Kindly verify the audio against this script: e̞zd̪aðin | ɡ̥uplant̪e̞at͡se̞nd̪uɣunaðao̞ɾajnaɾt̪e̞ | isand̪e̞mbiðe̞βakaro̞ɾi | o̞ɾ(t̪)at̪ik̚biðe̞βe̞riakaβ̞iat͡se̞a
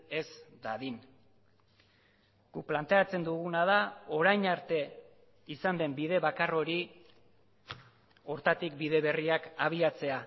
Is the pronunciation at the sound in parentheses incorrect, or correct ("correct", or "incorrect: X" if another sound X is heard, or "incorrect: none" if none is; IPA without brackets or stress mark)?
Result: correct